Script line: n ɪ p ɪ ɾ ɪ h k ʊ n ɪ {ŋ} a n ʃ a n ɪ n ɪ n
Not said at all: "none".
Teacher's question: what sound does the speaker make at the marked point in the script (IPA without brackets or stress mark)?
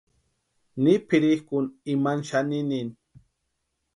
m